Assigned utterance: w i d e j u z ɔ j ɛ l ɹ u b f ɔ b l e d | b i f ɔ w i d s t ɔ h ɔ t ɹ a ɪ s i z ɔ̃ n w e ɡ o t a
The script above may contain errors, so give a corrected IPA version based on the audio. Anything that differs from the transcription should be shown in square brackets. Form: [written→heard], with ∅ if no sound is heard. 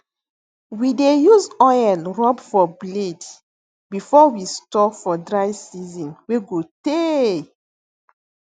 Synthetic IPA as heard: w i d e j u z ɔ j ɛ l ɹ [u→ɔ] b f ɔ b l e d | b i f ɔ w i [d→∅] s t ɔ [h→f] ɔ [t→d] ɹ a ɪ s i z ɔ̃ n w e ɡ o t [a→e]